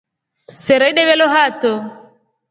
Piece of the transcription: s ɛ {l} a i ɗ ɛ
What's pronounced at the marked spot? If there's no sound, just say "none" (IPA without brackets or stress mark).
ɾ